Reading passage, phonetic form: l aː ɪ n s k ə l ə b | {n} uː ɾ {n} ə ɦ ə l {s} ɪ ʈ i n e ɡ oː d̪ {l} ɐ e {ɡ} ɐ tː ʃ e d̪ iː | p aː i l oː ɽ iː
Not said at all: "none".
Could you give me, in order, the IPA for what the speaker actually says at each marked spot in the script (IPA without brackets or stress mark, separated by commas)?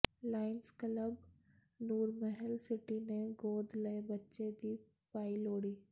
n, m, s, l, b